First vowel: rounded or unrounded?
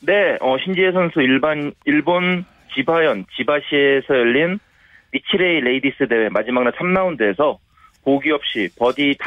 unrounded